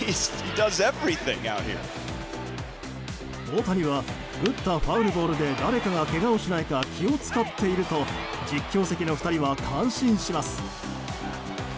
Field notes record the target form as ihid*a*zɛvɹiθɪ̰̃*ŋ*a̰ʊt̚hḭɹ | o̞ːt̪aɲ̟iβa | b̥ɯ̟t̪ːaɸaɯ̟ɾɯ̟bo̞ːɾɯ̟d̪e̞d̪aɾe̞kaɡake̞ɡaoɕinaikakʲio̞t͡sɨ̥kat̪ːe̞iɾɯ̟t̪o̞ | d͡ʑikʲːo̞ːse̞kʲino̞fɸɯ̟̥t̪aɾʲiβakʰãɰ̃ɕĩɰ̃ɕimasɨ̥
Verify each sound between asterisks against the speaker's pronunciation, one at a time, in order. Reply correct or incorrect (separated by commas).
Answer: incorrect, correct